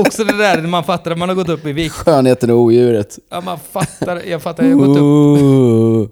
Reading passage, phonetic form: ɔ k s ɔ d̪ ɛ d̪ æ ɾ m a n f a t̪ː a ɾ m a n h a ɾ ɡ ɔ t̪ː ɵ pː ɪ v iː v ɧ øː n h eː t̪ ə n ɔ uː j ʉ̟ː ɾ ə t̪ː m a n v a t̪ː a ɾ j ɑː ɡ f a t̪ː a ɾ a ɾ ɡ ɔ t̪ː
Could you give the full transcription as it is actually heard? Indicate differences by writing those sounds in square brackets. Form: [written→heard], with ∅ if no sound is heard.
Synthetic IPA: ɔ k s ɔ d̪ ɛ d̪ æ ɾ m a n f a t̪ː a ɾ m a n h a ɾ ɡ ɔ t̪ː ɵ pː ɪ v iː [v→∅] ɧ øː n h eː t̪ ə n ɔ uː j ʉ̟ː ɾ ə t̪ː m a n [v→f] a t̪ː a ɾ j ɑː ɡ f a t̪ː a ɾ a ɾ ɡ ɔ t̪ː